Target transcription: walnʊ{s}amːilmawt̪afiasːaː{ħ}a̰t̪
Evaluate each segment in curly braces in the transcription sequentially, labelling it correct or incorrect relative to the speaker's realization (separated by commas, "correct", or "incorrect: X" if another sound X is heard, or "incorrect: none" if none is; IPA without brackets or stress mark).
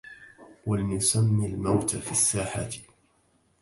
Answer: correct, correct